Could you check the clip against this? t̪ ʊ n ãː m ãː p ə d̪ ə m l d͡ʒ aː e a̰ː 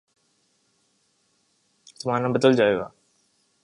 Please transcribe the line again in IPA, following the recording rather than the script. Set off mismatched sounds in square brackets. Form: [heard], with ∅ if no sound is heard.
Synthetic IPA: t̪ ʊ [m] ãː [n] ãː [b] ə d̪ ə [∅] l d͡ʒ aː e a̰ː